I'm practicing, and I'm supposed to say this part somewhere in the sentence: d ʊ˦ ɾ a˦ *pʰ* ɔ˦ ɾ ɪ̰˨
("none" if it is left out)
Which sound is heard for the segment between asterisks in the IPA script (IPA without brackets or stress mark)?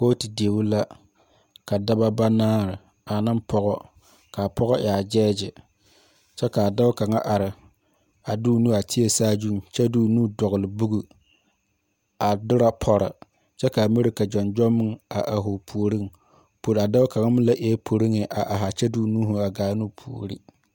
pʰ